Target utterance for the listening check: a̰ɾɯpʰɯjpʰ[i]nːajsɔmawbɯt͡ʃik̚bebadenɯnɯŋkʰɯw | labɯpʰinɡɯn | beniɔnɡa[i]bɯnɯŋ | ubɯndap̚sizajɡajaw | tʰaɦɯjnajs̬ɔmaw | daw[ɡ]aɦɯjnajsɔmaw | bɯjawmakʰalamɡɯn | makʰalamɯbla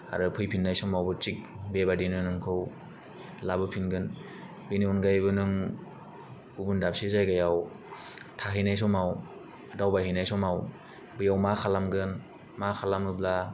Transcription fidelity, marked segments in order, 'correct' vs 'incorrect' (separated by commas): correct, incorrect, incorrect